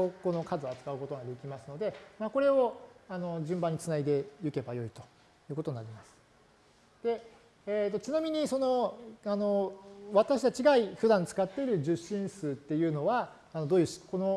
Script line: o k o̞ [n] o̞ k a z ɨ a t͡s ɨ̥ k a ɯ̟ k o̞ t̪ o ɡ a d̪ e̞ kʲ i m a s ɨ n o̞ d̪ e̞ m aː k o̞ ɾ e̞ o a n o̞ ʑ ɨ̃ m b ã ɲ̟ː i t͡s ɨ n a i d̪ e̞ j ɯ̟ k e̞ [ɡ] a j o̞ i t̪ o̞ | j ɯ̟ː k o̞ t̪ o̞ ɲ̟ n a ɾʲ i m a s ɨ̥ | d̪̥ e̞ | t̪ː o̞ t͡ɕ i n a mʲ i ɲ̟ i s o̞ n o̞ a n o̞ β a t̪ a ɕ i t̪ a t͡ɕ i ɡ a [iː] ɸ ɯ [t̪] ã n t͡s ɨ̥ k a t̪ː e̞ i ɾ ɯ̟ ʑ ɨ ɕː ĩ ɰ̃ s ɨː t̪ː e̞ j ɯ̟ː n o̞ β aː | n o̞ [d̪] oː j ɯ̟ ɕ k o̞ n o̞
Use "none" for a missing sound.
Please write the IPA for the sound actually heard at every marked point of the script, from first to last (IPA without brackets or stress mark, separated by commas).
n, b, i, d̪, d̪